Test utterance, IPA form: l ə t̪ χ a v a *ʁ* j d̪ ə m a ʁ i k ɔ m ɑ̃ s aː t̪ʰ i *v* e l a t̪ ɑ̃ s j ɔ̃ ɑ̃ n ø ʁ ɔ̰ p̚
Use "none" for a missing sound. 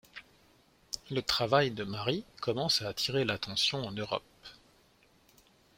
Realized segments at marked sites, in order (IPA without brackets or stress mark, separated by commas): none, ʁ